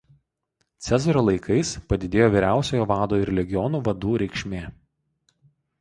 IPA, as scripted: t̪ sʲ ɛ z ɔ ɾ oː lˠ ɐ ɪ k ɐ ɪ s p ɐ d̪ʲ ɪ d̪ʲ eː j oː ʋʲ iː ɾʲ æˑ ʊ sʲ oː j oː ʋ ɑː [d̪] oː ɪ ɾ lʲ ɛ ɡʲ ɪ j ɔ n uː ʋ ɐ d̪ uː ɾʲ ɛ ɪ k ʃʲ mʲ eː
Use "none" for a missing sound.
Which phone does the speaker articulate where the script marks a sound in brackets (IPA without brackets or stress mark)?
d̪